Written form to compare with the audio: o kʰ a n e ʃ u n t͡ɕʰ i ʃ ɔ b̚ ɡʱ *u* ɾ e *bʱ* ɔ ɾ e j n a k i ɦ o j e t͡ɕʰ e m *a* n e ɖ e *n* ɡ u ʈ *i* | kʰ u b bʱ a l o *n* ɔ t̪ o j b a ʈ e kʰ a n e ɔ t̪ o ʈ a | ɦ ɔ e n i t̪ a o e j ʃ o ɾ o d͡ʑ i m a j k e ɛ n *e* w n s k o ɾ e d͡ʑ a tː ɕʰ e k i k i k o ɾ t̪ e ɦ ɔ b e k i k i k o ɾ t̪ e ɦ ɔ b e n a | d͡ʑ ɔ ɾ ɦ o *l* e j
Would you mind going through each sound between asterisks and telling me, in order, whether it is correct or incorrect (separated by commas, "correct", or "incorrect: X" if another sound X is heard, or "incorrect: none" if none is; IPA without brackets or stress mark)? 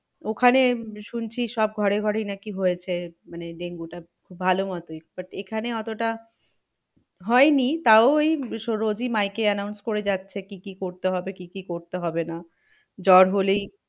incorrect: ɔ, incorrect: ɡʱ, correct, incorrect: ŋ, incorrect: a, incorrect: m, incorrect: a, correct